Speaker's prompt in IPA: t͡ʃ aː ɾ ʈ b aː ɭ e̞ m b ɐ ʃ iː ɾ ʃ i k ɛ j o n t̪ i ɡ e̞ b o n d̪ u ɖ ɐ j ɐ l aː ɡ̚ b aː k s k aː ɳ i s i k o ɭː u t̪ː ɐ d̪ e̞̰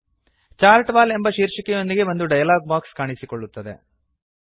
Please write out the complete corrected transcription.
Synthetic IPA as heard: t͡ʃ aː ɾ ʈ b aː l e̞ m b ɐ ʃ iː ɾ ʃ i k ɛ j o n d̪ i ɡ e̞ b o n d̪ u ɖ ɐ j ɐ l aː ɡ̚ b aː k s k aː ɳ i s i k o ɭː u t̪ː ɐ d̪ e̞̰